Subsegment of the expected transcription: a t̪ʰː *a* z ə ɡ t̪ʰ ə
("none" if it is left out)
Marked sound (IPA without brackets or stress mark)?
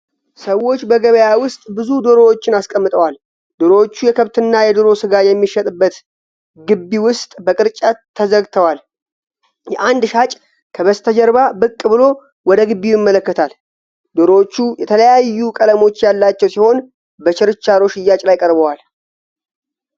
ə